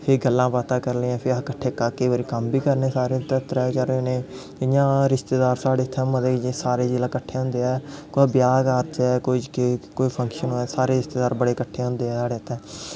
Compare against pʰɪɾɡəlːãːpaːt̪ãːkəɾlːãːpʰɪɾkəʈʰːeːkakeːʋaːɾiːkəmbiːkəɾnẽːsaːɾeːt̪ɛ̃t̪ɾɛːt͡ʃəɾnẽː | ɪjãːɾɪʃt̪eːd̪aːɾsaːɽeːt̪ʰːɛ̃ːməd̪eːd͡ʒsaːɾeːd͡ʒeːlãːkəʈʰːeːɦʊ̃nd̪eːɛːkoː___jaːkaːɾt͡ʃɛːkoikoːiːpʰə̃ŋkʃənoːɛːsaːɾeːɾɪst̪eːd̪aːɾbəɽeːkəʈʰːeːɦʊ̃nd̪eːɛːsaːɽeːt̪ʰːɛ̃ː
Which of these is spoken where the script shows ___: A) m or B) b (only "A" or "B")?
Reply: B